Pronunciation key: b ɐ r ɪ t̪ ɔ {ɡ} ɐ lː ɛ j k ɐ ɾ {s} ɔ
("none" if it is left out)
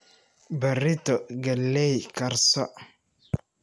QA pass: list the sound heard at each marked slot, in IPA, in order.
ɡ, s

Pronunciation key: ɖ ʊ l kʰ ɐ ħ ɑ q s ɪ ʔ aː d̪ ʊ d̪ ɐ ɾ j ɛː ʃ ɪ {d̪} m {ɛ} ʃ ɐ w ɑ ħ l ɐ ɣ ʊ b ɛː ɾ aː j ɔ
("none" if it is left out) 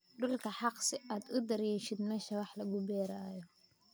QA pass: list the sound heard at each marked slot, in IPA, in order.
d̪, ɛː

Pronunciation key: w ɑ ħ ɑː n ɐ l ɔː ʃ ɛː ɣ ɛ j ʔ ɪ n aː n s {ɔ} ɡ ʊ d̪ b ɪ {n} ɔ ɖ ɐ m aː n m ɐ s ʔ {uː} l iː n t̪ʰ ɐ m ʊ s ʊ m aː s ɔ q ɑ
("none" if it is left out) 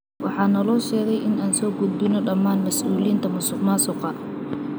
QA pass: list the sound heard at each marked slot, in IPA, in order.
ɔː, n, uː

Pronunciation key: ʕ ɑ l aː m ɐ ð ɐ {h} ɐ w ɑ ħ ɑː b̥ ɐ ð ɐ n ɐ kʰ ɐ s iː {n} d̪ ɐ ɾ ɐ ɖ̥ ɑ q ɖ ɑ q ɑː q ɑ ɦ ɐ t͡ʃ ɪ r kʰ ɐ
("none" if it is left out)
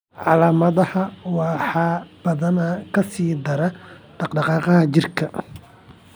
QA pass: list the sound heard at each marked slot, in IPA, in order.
h, none

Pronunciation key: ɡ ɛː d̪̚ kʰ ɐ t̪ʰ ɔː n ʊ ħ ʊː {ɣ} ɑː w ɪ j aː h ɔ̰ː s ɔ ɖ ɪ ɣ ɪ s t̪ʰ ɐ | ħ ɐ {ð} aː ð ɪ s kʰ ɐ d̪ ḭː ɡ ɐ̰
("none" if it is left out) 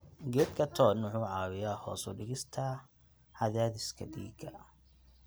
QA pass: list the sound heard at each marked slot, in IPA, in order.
ʕ, ð

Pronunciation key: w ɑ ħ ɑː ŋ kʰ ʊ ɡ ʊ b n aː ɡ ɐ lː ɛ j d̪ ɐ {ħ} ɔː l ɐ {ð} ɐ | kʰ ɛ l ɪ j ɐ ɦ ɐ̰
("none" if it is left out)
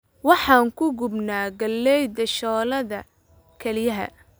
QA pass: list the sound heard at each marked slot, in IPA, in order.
ʃ, ð

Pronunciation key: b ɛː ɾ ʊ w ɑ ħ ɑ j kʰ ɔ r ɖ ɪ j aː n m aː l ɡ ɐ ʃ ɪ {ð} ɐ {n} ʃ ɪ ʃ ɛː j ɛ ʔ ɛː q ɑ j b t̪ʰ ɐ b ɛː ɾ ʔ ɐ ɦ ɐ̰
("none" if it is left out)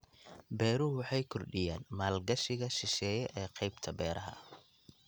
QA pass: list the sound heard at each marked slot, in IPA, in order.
ɣ, none

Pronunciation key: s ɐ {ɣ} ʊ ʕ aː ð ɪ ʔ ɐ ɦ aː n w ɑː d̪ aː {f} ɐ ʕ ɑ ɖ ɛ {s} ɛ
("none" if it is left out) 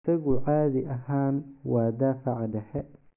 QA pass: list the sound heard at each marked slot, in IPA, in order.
ɣ, f, ħ

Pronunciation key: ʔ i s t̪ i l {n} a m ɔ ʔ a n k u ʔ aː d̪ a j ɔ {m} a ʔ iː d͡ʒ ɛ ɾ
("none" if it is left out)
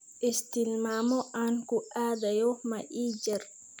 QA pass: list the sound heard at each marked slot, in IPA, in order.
m, m

